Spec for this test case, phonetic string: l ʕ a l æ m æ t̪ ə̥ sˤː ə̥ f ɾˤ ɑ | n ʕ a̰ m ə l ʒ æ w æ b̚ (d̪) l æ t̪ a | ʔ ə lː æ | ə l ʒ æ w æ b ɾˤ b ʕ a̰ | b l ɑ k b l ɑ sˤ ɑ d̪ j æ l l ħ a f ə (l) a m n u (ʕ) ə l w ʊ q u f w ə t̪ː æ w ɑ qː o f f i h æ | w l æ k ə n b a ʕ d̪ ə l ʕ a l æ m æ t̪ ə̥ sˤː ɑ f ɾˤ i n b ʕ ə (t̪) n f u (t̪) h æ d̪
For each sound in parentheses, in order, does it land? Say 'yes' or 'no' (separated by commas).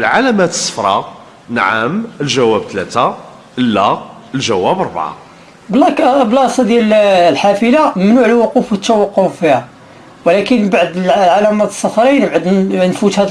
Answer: no, yes, yes, no, yes